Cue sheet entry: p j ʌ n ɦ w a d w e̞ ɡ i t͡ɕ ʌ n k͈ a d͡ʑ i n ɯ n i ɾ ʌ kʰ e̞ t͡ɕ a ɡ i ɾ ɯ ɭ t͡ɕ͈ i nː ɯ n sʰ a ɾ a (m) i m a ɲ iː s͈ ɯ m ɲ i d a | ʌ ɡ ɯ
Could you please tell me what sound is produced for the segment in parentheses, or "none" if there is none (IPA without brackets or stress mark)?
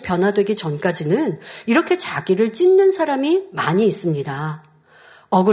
m